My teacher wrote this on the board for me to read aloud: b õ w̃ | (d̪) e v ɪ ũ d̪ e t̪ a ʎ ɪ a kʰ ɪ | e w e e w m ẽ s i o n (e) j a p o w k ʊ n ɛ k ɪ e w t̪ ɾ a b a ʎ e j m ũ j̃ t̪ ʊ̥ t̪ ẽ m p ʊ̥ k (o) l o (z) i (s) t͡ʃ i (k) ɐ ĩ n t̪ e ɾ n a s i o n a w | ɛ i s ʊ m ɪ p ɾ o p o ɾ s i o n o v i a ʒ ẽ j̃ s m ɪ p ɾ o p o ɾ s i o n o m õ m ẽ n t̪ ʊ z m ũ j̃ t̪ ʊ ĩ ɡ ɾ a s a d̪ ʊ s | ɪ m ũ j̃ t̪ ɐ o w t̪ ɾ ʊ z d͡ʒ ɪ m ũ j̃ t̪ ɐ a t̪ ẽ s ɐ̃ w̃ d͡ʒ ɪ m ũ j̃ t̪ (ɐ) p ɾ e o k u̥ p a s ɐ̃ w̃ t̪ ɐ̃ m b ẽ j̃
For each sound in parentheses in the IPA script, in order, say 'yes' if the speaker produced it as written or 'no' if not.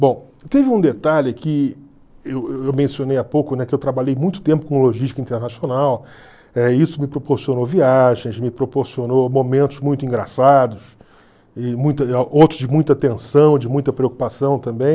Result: no, yes, no, no, no, yes, yes

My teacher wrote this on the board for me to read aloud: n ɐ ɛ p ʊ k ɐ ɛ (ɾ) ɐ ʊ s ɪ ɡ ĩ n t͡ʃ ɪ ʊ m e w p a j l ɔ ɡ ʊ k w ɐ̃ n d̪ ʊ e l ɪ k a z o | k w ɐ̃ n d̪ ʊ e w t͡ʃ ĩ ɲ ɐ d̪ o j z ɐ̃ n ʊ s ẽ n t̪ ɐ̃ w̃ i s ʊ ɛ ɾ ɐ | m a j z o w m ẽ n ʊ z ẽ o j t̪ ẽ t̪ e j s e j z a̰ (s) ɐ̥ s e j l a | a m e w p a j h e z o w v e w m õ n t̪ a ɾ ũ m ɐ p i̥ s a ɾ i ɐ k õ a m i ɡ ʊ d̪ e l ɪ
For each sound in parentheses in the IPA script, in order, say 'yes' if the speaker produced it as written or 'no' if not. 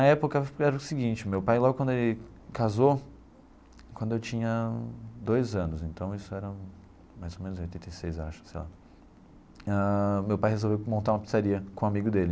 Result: yes, no

